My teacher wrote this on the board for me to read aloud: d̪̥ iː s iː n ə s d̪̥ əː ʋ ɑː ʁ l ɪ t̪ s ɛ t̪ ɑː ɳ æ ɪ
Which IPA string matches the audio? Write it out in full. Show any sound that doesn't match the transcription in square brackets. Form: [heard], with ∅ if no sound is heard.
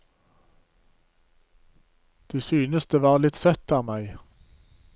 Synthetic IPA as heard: d̪̥ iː s [yː] n ə s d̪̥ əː ʋ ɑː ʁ l ɪ t̪ s [œ] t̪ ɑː [m] æ ɪ